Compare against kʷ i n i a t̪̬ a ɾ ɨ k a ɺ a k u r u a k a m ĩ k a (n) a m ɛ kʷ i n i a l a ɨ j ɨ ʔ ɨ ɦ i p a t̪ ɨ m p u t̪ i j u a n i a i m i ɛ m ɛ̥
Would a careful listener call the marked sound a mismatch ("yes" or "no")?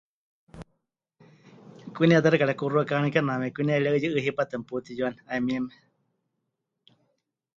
no